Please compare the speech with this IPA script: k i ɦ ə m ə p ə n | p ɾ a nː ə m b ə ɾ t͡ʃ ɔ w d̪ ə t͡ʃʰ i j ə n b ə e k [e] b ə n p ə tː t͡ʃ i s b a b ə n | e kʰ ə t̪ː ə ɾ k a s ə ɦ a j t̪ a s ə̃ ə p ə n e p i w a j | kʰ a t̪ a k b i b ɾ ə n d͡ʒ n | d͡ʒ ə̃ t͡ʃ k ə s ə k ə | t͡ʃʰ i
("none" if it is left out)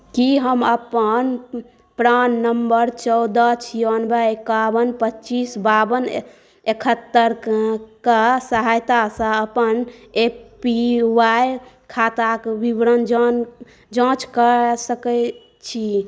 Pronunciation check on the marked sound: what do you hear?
a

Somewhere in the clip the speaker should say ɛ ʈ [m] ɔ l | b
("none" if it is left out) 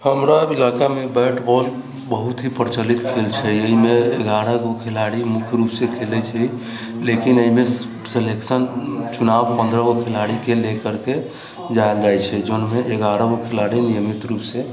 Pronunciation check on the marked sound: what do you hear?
b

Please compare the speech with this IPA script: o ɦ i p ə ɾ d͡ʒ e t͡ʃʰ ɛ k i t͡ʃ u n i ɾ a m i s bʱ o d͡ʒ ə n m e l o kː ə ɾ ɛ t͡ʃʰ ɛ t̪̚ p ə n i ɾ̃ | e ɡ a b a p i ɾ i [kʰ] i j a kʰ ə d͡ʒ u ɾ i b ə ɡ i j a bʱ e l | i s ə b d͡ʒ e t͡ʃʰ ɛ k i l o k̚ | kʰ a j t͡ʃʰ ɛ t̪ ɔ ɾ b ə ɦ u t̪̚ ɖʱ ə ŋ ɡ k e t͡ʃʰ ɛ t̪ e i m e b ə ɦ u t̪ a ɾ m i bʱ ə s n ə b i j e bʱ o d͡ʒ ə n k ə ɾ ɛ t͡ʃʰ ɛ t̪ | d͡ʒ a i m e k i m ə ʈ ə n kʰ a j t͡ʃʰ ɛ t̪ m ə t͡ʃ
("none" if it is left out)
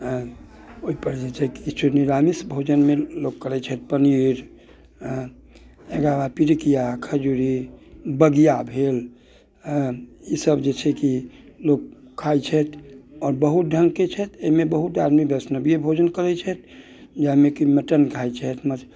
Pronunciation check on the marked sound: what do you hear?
k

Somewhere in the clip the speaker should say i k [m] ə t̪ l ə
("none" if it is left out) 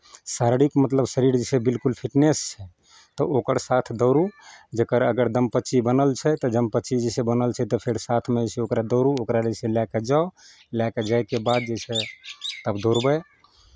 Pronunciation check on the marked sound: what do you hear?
m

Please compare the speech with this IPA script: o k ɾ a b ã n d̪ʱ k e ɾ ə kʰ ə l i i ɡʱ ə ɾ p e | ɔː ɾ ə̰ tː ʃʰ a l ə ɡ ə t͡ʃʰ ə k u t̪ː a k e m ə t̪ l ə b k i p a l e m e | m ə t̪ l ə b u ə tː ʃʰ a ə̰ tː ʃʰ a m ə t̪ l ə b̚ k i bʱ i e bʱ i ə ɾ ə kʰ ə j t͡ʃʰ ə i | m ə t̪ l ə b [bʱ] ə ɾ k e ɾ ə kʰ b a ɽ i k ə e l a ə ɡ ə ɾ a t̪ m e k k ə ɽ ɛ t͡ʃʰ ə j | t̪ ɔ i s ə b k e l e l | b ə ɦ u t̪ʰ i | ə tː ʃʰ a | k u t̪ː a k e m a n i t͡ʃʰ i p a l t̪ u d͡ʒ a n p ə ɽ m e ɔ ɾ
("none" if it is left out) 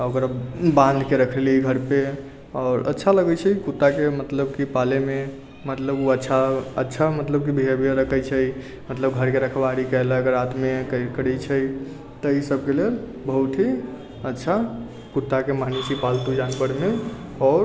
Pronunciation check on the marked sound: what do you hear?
ɡʱ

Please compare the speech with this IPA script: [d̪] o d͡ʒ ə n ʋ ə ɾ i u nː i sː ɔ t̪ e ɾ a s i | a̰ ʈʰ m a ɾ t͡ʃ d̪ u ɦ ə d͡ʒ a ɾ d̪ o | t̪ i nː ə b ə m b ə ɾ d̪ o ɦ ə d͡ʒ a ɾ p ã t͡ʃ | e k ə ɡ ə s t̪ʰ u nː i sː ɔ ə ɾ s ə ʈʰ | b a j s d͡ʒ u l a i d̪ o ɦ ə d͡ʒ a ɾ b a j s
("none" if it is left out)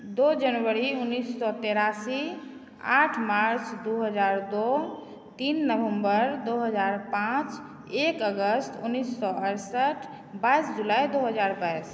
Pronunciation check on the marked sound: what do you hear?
d̪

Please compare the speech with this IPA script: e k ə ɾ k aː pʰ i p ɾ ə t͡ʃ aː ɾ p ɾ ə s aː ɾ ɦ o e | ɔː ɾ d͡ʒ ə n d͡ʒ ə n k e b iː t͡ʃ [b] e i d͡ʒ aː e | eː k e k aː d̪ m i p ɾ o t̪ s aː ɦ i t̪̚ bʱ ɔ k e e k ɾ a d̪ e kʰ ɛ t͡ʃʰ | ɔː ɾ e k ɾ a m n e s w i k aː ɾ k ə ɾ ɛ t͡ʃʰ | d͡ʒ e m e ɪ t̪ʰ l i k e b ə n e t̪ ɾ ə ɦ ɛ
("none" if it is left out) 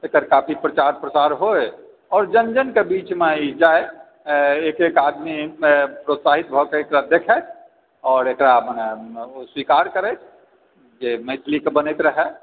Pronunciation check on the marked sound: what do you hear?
m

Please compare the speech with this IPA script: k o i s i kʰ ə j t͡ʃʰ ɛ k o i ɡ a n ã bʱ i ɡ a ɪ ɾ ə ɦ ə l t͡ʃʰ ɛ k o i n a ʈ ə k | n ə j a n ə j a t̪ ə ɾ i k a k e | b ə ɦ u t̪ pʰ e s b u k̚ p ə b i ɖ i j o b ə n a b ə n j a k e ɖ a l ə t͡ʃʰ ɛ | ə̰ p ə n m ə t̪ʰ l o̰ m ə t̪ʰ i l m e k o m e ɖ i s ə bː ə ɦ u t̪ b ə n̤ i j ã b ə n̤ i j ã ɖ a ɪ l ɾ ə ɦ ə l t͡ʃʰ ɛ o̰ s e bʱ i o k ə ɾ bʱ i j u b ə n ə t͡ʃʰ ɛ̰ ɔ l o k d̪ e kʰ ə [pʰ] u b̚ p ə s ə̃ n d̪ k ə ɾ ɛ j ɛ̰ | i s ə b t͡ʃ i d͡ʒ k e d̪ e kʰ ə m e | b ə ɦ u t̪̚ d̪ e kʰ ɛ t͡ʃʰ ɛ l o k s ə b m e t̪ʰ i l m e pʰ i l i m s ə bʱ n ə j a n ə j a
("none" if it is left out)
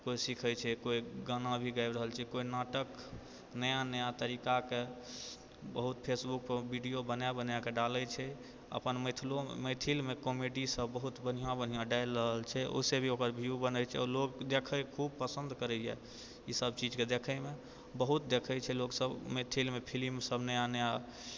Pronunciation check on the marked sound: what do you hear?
kʰ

